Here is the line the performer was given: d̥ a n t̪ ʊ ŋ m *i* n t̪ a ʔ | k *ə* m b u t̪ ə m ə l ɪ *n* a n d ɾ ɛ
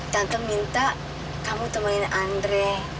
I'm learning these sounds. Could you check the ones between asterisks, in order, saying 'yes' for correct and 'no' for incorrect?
yes, no, yes

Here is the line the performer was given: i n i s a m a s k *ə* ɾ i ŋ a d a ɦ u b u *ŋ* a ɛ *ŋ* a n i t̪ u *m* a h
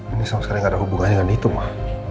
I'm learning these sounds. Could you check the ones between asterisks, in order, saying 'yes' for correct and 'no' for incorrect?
no, yes, yes, yes

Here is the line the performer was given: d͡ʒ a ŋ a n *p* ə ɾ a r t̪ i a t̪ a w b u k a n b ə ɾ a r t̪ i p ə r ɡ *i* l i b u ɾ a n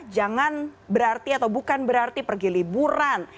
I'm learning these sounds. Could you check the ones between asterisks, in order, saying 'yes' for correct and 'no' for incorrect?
no, yes

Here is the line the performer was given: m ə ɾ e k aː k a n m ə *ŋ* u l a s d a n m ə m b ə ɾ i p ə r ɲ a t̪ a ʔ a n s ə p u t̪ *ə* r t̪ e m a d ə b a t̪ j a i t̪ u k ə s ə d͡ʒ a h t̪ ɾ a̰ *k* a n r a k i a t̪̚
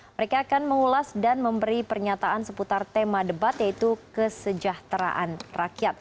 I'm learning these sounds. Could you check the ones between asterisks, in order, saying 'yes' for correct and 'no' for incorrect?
yes, no, no

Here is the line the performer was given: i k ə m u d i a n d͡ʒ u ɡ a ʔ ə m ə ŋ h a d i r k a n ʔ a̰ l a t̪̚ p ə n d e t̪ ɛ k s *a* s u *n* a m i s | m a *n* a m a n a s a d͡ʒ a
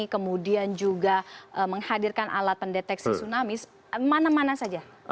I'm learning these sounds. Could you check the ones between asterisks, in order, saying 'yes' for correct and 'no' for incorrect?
no, yes, yes

